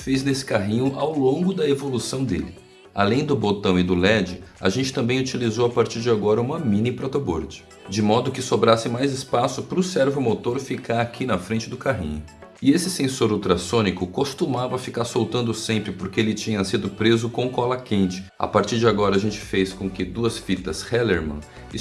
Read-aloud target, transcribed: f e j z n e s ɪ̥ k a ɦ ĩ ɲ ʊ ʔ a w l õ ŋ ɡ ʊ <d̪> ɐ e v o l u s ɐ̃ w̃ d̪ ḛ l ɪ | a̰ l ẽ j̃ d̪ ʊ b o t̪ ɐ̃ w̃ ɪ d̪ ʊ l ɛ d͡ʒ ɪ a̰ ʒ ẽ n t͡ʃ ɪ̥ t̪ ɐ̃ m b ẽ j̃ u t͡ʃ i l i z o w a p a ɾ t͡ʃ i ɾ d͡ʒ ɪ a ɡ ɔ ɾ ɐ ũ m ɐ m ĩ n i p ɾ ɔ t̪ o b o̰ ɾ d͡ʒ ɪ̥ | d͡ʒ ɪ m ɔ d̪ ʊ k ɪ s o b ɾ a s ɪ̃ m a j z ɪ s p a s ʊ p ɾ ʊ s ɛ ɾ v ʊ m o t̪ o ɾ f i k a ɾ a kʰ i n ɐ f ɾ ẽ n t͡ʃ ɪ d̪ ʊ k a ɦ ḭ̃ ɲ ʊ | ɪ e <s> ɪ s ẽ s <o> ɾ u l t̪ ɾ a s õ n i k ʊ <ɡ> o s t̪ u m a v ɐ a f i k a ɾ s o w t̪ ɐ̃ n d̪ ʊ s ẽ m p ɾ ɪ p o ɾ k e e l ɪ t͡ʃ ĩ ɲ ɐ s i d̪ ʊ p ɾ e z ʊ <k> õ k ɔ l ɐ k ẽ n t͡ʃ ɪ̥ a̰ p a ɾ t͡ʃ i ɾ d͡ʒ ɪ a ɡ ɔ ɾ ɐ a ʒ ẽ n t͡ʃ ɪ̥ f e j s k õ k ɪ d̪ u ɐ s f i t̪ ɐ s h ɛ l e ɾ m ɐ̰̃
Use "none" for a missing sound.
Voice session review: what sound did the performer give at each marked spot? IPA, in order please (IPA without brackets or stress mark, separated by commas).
d̪, s, o, k, k